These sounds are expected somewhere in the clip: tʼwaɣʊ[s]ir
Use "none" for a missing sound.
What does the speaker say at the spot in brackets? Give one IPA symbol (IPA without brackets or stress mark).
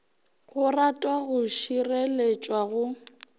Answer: ʃ